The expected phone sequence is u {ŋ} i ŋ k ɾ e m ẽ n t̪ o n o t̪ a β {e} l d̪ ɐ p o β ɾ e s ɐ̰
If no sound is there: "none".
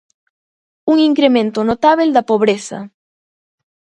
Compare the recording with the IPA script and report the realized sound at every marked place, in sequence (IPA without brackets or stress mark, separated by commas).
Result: ŋ, e